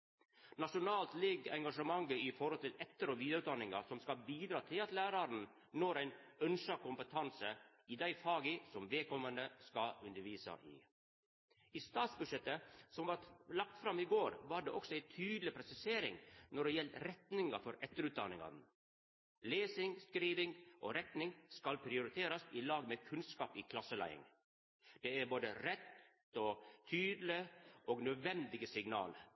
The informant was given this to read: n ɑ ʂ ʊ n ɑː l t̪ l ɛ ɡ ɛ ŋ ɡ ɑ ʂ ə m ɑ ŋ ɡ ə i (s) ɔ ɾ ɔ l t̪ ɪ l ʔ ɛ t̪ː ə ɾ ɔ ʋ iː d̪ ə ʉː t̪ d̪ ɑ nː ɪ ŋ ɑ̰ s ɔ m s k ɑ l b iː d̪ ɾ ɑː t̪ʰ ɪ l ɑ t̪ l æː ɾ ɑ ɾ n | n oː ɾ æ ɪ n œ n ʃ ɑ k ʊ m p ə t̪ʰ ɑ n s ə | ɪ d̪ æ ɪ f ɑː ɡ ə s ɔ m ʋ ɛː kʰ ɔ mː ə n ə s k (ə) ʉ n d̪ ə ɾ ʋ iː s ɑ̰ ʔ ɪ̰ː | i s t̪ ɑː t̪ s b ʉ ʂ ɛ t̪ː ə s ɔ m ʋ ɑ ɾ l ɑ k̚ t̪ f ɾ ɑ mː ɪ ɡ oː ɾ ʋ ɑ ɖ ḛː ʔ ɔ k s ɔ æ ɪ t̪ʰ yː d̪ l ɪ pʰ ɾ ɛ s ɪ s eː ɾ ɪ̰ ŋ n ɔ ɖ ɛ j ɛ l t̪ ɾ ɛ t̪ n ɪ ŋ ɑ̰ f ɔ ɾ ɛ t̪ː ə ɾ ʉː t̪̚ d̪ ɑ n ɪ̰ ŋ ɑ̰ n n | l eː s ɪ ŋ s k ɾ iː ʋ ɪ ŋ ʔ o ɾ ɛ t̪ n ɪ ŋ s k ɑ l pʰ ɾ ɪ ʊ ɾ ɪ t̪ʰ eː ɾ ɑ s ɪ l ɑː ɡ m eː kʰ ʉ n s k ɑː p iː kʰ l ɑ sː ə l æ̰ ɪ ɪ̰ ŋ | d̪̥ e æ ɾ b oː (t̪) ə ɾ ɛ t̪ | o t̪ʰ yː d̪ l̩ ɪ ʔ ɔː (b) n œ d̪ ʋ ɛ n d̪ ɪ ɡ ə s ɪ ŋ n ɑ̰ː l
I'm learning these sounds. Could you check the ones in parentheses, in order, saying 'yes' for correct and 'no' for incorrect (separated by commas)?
no, no, no, no